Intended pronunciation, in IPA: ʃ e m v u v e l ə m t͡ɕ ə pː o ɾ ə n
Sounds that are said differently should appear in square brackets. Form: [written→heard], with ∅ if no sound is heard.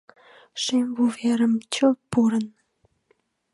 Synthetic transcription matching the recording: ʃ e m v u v e [l→ɾ] ə m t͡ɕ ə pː [o→u] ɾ ə n